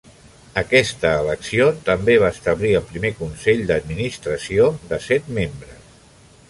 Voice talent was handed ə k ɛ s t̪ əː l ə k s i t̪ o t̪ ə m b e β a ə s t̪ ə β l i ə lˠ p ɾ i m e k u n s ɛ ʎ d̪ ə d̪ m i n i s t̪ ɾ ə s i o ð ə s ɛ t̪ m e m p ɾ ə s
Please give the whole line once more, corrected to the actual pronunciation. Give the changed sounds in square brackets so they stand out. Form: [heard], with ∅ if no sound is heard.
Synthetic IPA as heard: ə k ɛ s t̪ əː l ə k s i [∅] o t̪ ə m b e β a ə s t̪ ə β l i ə lˠ p ɾ i m e k u n s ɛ ʎ d̪ ə d̪ m i n i s t̪ ɾ ə s i o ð ə s ɛ t̪ m e m [b] ɾ ə s